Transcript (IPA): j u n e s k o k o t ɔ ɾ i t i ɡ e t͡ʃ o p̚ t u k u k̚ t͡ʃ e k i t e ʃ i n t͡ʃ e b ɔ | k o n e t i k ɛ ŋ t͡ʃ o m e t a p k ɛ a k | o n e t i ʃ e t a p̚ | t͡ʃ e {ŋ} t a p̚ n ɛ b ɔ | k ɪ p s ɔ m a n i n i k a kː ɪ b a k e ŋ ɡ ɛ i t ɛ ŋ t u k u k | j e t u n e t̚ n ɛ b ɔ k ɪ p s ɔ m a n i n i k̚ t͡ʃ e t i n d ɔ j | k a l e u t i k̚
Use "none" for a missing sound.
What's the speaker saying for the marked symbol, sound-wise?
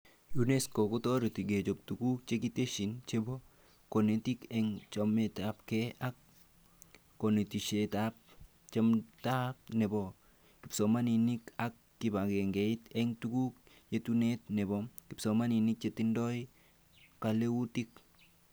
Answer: m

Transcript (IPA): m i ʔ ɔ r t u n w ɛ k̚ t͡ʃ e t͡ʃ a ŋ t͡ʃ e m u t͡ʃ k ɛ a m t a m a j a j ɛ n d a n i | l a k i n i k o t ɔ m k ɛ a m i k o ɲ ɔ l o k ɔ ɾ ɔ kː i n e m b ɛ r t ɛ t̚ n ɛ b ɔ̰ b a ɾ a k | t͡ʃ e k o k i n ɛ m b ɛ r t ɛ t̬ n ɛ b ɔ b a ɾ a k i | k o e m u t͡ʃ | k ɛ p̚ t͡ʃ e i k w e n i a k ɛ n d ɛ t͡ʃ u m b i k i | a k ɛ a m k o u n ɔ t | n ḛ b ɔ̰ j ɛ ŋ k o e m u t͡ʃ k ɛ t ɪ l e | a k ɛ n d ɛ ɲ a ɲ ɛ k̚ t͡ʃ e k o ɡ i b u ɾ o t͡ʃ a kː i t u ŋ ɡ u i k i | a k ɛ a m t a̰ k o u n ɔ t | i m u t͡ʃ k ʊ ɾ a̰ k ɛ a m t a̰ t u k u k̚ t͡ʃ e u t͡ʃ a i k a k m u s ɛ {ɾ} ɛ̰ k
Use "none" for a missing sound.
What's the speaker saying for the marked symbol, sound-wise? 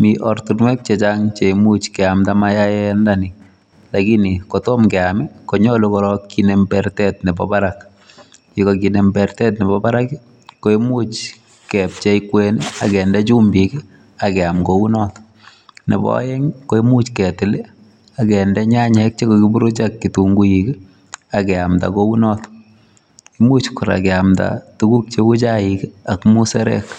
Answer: ɾ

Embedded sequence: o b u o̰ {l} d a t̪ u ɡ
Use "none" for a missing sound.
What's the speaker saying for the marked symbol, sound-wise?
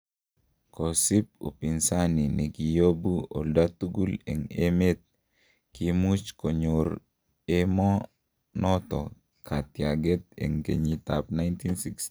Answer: l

